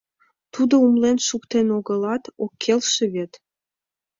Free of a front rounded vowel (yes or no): yes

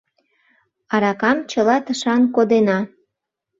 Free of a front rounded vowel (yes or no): yes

